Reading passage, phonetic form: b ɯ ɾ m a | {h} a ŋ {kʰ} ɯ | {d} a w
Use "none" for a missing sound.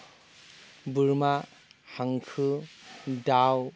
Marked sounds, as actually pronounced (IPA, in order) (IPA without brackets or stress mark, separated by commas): h, kʰ, d